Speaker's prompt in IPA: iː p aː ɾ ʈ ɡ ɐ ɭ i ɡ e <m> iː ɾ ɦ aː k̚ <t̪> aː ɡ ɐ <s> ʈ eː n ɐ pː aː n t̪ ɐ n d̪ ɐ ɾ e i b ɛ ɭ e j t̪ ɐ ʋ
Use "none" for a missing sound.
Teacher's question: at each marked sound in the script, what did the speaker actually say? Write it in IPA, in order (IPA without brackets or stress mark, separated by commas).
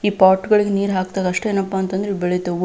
n, t̪, ʂ